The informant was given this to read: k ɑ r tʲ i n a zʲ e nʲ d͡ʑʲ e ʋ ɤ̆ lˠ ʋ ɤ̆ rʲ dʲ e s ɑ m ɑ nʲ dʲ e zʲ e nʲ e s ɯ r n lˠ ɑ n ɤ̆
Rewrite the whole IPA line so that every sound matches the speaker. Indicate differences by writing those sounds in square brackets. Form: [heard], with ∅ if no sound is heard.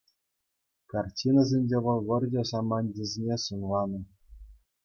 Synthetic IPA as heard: k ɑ r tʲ i n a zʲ e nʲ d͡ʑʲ e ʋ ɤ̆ lˠ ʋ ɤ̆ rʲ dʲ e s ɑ m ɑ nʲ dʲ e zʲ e nʲ e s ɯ [∅] n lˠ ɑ n ɤ̆

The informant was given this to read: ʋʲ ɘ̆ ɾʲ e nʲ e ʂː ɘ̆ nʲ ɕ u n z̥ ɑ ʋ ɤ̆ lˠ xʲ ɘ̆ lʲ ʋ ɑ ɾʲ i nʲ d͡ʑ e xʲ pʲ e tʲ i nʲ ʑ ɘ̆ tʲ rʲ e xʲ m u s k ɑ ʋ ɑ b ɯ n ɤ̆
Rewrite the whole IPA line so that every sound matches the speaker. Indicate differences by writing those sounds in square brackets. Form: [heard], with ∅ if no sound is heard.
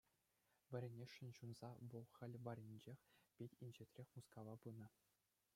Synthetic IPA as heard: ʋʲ ɘ̆ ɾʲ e nʲ e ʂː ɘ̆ nʲ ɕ u n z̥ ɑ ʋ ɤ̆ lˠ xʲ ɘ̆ lʲ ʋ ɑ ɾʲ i nʲ d͡ʑ e xʲ pʲ e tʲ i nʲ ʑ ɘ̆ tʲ rʲ e xʲ m u s k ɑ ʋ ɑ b ɯ n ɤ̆

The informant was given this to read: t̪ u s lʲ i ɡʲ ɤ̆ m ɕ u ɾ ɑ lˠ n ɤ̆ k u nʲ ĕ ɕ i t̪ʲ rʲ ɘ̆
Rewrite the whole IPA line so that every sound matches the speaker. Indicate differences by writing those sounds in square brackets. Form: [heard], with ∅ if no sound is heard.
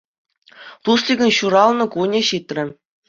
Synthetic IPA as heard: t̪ u s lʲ i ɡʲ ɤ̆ [n] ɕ u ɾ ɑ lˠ n ɤ̆ k u nʲ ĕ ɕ i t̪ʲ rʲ ɘ̆

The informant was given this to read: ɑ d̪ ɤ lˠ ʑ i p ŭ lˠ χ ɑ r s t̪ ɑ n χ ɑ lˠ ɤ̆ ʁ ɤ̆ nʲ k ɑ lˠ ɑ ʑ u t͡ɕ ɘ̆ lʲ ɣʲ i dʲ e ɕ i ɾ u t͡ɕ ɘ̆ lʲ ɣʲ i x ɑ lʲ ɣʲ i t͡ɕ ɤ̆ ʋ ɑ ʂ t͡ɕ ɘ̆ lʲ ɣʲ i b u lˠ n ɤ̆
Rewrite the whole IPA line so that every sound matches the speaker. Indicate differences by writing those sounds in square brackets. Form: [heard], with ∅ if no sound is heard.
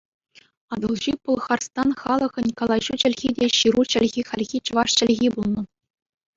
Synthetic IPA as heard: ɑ d̪ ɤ lˠ ʑ i p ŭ lˠ χ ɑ r s t̪ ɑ n χ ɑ lˠ ɤ̆ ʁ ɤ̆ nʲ k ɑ lˠ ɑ ʑ u t͡ɕ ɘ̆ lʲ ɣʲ i dʲ e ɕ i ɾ u t͡ɕ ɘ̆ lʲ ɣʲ i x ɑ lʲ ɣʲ i t͡ɕ ɤ̆ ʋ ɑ ʂ t͡ɕ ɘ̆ lʲ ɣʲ i b u lˠ n ɤ̆

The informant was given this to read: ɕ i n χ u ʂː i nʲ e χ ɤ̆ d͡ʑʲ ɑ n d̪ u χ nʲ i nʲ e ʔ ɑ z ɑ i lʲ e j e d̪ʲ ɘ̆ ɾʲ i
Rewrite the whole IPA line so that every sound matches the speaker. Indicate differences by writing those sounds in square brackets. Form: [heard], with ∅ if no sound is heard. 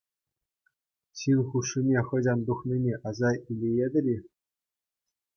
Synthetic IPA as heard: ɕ i n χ u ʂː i nʲ e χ ɤ̆ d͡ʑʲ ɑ n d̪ u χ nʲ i nʲ e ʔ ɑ z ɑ i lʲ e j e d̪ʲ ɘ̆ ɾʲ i

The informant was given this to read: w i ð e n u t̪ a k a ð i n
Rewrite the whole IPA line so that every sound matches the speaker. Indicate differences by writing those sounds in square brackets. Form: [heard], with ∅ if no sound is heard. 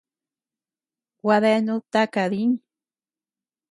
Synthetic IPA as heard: w [a] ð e n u t̪ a k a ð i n

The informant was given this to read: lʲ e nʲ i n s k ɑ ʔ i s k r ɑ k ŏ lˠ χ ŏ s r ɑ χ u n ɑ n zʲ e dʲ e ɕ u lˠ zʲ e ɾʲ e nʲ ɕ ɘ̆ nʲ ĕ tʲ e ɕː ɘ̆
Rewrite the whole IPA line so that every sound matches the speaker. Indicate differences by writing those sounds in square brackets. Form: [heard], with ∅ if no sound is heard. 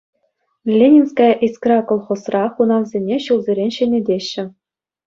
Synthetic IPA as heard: lʲ e nʲ i n s k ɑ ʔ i s k r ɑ k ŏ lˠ χ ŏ s r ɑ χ u n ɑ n zʲ e [nʲ] e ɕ u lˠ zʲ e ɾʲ e nʲ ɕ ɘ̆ nʲ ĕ [dʲ] e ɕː ɘ̆

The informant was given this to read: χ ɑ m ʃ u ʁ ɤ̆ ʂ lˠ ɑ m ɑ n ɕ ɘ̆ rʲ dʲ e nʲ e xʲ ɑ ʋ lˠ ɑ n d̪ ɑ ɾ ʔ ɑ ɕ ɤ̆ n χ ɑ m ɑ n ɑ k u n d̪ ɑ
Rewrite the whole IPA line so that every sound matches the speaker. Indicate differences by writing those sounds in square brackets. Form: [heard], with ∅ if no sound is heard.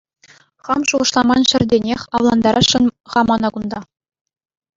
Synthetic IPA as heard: χ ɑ m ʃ u ʁ ɤ̆ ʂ lˠ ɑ m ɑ n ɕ ɘ̆ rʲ dʲ e nʲ e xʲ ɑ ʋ lˠ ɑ n d̪ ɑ ɾ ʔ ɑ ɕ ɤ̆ n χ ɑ m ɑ n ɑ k u n d̪ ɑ

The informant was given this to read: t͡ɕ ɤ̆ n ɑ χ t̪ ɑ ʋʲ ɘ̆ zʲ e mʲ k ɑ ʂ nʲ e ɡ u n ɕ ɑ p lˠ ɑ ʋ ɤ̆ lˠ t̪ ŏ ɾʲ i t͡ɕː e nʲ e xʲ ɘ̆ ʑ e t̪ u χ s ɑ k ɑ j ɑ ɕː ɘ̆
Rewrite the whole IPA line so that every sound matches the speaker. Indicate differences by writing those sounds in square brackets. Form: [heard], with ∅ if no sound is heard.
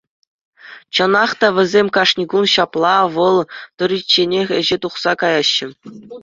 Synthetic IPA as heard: t͡ɕ ɤ̆ n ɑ χ t̪ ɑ ʋʲ ɘ̆ zʲ e mʲ k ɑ ʂ nʲ [i] ɡ u n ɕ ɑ p lˠ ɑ ʋ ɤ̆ lˠ t̪ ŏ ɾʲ i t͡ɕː e nʲ e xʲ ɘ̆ ʑ e t̪ u χ s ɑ k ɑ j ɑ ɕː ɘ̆

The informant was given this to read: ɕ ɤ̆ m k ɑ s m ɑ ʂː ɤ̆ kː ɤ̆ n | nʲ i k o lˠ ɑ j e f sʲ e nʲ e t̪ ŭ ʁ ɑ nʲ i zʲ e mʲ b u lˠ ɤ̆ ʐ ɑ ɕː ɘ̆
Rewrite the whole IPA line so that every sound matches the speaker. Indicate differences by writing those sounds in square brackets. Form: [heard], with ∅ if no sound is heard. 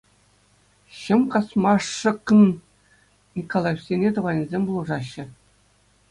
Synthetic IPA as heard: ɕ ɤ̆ m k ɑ s m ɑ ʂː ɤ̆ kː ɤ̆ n | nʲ i k o lˠ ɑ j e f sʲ e nʲ e t̪ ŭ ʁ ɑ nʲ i zʲ e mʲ b u lˠ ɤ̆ ʐ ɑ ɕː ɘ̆

